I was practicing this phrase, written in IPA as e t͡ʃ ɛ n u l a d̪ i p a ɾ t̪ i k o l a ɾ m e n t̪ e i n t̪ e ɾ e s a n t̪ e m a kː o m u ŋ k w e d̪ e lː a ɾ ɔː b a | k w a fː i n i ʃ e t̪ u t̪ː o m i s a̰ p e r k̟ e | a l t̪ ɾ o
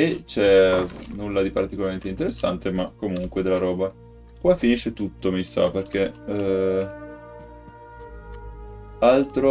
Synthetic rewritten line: e t͡ʃ ɛ n u lː a d̪ i p a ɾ t̪ i k o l a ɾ m e n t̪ e i n t̪ e ɾ e sː a n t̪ e m a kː o m u ŋ k w e d̪ e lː a ɾ ɔː b a | k w a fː i n i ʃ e t̪ u t̪ː o m i s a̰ p e r k̟ e | a l t̪ ɾ o